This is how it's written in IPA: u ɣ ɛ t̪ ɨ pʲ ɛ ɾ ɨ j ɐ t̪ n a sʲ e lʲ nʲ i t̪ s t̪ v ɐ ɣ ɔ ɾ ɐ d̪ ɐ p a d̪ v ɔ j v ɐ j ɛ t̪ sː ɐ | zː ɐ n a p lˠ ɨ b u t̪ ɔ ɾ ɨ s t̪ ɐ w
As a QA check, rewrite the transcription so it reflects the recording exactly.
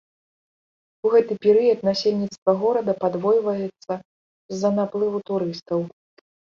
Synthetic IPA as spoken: u ɣ ɛ t̪ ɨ pʲ ɛ ɾ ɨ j ɐ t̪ n a sʲ e lʲ nʲ i t̪ s t̪ v ɐ ɣ ɔ ɾ ɐ d̪ ɐ p a d̪ v ɔ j v ɐ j ɛ t̪ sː ɐ | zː ɐ n a p lˠ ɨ v u t̪ u ɾ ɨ s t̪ ɐ w

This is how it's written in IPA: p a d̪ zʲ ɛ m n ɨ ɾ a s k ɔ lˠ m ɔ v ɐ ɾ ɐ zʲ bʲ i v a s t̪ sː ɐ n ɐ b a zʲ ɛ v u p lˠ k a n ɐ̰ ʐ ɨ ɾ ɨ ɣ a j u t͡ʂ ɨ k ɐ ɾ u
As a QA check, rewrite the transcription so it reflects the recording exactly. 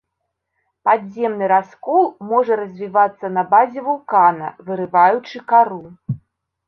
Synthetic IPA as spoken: p a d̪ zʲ ɛ m n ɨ ɾ a s k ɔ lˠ m ɔ ʐ ɐ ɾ ɐ zʲ vʲ i v a t̪ sː ɐ n ɐ b a zʲ ɛ v u lˠ k a n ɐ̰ v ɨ ɾ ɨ v a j u t͡ʂ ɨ k a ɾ u

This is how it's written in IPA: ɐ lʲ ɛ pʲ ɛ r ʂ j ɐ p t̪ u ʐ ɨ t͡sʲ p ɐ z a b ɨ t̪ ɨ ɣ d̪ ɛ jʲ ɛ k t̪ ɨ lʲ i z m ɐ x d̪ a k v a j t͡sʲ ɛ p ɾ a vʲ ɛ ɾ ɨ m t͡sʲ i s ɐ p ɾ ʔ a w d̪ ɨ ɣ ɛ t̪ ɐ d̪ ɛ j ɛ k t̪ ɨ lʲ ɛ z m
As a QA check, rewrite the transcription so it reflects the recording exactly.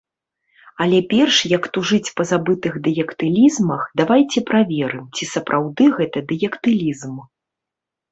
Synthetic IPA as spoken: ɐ lʲ ɛ pʲ ɛ r ʂ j ɐ k t̪ u ʐ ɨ t͡sʲ p ɐ z a b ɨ t̪ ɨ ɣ d̪ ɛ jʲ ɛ k t̪ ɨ lʲ i z m ɐ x d̪ a v a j t͡sʲ ɛ p ɾ a vʲ ɛ ɾ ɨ m t͡sʲ i s ɐ p ɾ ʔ a w d̪ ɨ ɣ ɛ t̪ ɐ d̪ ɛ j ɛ k t̪ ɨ lʲ i z m

